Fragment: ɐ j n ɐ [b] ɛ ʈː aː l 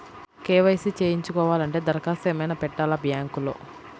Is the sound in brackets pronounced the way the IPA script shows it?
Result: no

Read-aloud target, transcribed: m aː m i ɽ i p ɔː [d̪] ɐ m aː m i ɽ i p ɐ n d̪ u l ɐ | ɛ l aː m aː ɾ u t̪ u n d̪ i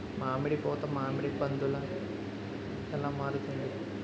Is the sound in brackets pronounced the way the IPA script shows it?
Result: no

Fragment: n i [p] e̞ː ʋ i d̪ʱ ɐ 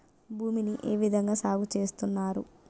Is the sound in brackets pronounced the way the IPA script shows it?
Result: no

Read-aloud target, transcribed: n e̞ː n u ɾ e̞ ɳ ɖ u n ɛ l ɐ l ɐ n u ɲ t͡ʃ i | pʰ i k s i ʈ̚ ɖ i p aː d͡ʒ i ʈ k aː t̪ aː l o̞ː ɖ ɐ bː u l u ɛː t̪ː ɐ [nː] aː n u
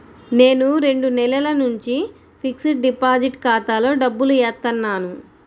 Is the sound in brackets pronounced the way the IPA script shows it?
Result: yes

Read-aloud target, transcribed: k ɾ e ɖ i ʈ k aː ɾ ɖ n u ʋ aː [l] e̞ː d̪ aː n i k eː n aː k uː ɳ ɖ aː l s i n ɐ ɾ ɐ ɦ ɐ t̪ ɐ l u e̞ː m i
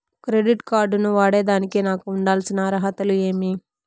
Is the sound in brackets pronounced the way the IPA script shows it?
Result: no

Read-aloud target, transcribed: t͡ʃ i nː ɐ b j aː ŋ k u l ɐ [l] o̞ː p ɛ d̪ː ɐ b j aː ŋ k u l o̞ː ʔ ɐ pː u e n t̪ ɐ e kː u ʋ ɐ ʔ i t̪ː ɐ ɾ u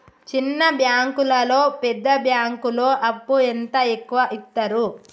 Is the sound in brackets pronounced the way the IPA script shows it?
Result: yes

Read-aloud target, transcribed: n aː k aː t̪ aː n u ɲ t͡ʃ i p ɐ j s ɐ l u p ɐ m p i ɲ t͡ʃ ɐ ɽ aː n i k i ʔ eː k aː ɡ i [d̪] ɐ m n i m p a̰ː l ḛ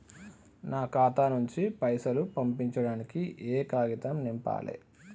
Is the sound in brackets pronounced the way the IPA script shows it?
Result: no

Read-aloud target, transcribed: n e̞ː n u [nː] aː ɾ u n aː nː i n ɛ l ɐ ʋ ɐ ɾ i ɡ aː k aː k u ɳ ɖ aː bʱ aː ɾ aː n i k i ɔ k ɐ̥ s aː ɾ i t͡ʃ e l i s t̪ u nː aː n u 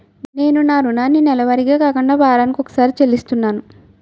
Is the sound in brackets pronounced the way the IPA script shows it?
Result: no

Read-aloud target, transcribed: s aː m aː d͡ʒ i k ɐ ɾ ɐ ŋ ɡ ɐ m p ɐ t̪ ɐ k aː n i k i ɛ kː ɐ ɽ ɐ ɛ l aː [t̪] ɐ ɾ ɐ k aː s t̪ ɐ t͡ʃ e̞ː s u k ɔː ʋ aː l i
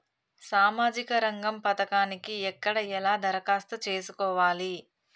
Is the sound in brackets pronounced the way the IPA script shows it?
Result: no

